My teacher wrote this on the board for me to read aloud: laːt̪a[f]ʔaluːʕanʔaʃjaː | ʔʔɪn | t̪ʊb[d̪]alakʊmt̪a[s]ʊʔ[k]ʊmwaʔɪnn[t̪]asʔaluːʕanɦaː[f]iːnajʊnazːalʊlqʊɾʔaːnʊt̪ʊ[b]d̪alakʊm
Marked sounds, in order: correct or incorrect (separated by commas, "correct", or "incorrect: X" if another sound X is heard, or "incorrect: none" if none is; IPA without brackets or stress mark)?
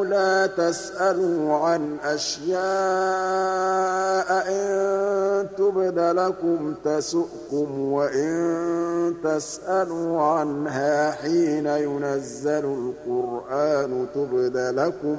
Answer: incorrect: s, correct, correct, correct, correct, incorrect: ħ, correct